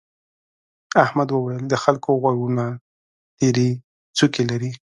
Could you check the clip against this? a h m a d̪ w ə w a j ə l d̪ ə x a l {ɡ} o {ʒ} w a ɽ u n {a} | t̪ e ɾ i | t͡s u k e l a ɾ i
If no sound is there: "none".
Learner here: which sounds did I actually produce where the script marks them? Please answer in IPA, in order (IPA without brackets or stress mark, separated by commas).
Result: k, ɣ, a